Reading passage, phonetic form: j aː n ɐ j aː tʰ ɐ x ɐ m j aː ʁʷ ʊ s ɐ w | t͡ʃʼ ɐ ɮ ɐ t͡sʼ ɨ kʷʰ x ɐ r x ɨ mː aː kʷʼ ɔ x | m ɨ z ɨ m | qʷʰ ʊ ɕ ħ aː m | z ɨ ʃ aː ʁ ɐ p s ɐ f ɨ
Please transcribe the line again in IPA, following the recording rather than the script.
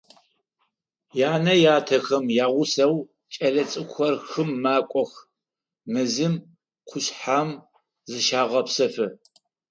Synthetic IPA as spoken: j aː n ɐ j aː tʰ ɐ x ɐ m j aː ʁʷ ʊ s ɐ w | t͡ʃʼ ɐ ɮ ɐ t͡sʼ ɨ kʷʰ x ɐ r x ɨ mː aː kʷʼ ɔ x | m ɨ z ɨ m | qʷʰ ʊ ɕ ħ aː m | z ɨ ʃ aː ʁ ɐ p s ɐ f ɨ

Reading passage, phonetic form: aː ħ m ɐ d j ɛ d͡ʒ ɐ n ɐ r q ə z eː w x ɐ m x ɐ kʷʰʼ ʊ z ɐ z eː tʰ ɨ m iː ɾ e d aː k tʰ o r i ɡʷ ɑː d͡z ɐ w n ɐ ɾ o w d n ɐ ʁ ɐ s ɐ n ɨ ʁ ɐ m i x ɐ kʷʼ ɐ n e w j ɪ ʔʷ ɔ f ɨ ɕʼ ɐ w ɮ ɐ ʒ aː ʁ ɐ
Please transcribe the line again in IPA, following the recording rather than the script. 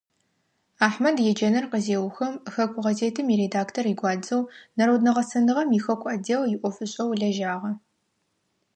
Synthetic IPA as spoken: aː ħ m ɐ d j ɛ d͡ʒ ɐ n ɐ r q ə z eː w x ɐ m x ɐ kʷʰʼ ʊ ʁ ɐ z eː tʰ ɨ m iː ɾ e d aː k tʰ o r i ɡʷ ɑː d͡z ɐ w n ɐ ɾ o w d n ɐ ʁ ɐ s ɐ n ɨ ʁ ɐ m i x ɐ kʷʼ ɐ d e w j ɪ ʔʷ ɔ f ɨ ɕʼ ɐ w ɮ ɐ ʒ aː ʁ ɐ

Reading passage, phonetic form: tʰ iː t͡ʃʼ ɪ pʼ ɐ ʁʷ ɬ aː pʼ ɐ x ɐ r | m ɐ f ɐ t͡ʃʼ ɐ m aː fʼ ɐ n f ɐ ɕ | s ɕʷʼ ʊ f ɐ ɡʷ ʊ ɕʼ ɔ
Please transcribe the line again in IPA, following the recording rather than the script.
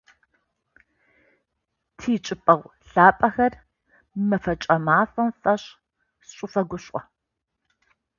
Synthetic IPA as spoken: tʰ iː t͡ʃʼ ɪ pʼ ɐ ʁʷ ɬ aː pʼ ɐ x ɐ r | m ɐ f ɐ t͡ʃʼ ɐ m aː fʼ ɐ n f ɐ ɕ | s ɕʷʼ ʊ f ɐ ɡʷ ʊ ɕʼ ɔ

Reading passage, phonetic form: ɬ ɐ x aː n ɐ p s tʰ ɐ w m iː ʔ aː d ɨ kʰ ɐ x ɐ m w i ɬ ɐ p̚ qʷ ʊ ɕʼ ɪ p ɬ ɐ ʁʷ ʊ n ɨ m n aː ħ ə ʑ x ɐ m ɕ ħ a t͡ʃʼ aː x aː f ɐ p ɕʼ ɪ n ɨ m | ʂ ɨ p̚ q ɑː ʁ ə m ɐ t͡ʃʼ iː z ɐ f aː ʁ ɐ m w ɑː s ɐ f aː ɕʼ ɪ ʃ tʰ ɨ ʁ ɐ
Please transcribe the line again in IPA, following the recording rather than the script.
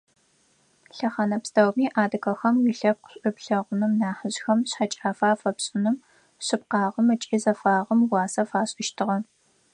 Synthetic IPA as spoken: ɬ ɐ χ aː n ɐ p s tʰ ɐ w m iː ʔ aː d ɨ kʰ ɐ x ɐ m w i ɬ ɐ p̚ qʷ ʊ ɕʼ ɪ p ɬ ɐ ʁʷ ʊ n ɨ m n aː ħ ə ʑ x ɐ m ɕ ħ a t͡ʃʼ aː f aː f ɐ p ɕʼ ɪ n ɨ m | ɕ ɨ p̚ q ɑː ʁ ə m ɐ t͡ʃʼ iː z ɐ f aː ʁ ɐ m w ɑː s ɐ f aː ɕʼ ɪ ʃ tʰ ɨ ʁ ɐ

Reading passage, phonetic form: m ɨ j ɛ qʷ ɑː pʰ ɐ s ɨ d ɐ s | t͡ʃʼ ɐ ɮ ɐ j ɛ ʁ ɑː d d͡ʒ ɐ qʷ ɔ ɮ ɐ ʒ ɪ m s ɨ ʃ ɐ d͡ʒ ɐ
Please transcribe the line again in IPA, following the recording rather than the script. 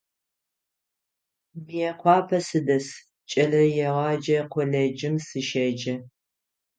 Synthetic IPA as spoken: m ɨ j ɛ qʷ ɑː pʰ ɐ s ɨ d ɐ s | t͡ʃʼ ɐ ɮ ɐ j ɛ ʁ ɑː d͡ʒ ɐ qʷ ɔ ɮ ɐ d͡ʒ ɪ m s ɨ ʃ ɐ d͡ʒ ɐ

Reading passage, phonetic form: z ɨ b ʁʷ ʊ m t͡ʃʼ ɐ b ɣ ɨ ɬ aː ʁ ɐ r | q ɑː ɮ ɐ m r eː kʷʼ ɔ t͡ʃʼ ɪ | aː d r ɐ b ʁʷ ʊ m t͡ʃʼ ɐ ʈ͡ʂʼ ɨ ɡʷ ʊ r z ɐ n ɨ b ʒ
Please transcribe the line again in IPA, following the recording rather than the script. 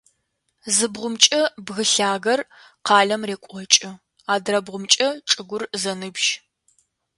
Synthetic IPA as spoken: z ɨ b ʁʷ ʊ m t͡ʃʼ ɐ b ɣ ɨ ɬ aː ɣ ɐ r | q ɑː ɮ ɐ m r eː kʷʼ ɔ t͡ʃʼ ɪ | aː d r ɐ b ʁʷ ʊ m t͡ʃʼ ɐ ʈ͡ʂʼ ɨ ɡʷ ʊ r z ɐ n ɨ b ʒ

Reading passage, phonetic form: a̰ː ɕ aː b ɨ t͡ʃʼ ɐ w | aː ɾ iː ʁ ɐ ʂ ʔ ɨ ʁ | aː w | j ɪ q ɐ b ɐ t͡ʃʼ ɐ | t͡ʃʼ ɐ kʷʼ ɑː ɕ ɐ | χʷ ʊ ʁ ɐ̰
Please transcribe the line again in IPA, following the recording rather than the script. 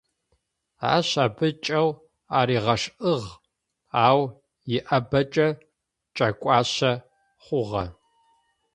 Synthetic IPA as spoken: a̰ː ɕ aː b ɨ t͡ʃʼ ɐ w | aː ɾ iː ʁ ɐ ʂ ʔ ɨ ʁ | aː w | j ɪ ʔ ɐ b ɐ t͡ʃʼ ɐ | t͡ʃʼ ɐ kʷʼ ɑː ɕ ɐ | χʷ ʊ ʁ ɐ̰

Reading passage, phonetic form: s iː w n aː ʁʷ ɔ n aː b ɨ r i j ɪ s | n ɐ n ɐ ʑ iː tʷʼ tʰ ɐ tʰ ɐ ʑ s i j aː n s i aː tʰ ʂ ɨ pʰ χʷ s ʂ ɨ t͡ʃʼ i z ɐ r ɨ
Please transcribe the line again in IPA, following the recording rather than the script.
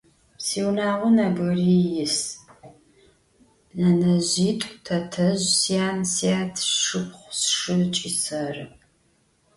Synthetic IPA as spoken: s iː w n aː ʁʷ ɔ n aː b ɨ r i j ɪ s | n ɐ n ɐ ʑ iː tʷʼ tʰ ɐ tʰ ɐ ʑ s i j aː n s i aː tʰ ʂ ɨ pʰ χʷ s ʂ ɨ t͡ʃʼ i s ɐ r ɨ

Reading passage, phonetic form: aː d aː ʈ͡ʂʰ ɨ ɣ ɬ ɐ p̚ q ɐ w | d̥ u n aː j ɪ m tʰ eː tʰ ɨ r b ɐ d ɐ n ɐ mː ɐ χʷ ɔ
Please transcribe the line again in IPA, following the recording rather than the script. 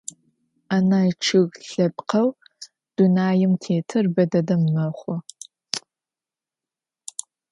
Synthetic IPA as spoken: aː n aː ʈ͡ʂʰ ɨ ɣ ɬ ɐ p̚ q ɐ w | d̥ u n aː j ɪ m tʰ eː tʰ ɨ r b ɐ d ɐ d ɐ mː ɐ χʷ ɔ

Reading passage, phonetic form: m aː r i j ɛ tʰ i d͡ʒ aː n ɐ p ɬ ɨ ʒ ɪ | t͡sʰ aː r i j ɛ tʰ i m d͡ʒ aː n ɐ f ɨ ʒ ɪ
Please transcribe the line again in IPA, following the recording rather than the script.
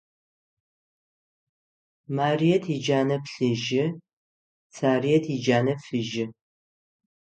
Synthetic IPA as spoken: m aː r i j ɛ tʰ i d͡ʒ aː n ɐ p ɬ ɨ ʒ ɪ | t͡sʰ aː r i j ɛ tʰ i d͡ʒ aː n ɐ f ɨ ʒ ɪ

